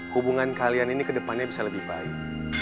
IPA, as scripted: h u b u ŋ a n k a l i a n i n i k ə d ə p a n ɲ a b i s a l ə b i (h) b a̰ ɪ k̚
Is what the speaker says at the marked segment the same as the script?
yes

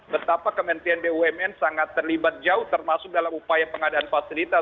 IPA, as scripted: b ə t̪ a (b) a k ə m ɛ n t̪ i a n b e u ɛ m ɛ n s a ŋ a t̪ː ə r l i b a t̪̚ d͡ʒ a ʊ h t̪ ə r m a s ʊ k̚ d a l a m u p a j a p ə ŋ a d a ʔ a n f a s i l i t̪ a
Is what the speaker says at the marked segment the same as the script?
no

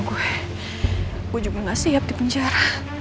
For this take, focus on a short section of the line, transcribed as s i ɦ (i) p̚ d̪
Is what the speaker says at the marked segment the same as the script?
no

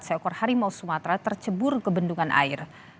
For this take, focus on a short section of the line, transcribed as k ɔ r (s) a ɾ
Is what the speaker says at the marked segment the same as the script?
no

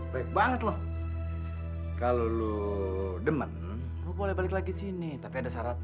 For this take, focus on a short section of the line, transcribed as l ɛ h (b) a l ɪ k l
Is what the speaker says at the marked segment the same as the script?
yes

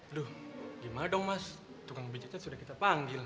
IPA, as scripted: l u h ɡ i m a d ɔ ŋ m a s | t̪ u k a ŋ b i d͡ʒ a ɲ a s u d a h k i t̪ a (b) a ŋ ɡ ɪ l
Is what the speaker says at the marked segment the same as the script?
no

